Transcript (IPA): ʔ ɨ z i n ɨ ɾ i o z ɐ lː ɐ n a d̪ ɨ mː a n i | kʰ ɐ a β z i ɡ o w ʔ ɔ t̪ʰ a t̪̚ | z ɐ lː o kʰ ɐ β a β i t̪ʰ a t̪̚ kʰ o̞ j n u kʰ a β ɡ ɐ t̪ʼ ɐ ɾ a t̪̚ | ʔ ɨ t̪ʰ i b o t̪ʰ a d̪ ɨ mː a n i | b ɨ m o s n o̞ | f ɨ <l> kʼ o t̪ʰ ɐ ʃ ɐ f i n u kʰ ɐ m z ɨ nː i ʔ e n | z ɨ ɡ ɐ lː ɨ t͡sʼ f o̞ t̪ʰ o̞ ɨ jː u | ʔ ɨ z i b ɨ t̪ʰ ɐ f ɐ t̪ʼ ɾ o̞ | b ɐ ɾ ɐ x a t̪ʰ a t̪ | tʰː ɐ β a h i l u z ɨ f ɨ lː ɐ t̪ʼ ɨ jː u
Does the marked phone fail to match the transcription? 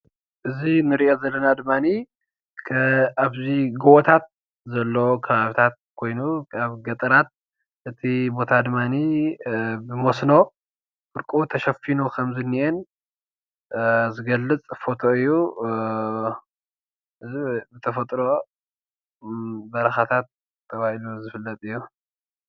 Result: yes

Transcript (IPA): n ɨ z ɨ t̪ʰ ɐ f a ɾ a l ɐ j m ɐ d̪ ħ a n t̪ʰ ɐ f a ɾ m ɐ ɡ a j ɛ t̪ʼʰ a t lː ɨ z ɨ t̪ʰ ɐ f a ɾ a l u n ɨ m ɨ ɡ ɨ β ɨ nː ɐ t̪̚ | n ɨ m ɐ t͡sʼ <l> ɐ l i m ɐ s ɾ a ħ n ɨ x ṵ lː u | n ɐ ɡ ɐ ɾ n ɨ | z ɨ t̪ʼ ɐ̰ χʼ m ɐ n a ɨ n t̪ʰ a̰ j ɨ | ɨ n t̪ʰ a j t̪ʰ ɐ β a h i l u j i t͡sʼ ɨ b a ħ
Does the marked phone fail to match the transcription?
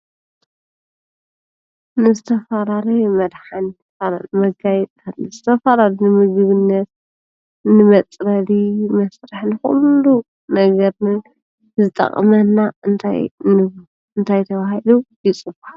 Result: yes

